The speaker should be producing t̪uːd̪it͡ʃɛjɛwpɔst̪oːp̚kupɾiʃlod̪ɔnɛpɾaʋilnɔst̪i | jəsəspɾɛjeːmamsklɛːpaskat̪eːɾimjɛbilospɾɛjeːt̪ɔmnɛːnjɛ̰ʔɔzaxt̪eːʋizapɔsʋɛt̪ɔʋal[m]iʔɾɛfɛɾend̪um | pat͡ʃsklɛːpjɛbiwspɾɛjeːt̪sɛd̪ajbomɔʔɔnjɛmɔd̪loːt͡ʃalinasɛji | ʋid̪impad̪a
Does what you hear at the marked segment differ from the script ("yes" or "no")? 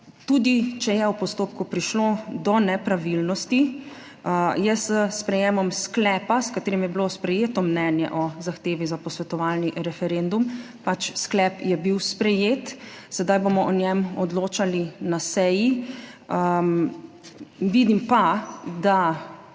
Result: yes